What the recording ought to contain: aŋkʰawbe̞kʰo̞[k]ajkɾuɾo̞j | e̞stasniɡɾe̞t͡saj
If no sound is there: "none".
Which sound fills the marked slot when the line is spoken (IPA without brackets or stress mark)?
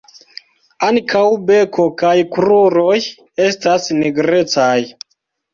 k